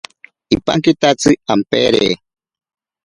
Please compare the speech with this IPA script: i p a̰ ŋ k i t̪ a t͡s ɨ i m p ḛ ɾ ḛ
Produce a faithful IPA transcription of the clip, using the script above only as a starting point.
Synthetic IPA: i p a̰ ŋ k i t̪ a t͡s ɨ a m p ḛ ɾ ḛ